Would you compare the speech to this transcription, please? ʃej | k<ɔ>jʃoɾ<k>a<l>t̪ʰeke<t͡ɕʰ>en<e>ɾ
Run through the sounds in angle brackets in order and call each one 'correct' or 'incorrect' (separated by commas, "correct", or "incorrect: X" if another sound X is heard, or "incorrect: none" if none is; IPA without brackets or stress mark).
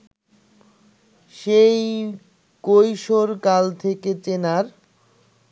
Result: incorrect: o, correct, correct, incorrect: t͡ɕ, incorrect: a